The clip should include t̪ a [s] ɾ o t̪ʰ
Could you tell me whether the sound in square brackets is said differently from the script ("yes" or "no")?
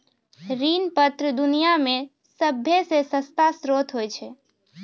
no